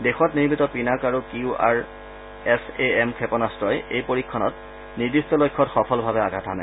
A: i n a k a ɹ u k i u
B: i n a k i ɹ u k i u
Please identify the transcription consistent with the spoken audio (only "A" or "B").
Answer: A